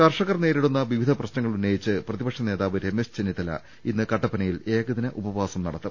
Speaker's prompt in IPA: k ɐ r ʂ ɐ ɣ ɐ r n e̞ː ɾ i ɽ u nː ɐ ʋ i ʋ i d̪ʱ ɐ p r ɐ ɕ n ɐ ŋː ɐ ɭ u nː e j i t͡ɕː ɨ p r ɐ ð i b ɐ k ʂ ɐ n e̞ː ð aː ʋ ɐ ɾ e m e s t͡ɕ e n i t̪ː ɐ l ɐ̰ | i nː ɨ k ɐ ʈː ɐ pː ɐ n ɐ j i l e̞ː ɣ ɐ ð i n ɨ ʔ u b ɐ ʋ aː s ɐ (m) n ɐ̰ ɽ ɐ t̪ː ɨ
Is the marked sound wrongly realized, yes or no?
no